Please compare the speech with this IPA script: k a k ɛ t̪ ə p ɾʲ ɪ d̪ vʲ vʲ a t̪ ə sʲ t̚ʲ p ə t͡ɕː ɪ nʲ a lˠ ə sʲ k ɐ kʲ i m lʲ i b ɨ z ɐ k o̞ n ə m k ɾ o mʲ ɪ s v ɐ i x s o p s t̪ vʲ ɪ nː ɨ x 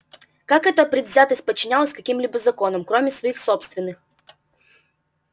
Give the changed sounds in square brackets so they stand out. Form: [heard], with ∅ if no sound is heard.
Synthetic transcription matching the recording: k a k ɛ t̪ ə p ɾʲ ɪ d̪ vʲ [zʲ] a t̪ ə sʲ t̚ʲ p ə t͡ɕː ɪ nʲ a lˠ ə sʲ k ɐ kʲ i m lʲ i b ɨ z ɐ k o̞ n ə m k ɾ o mʲ ɪ s v ɐ i x s o p s t̪ vʲ ɪ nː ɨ x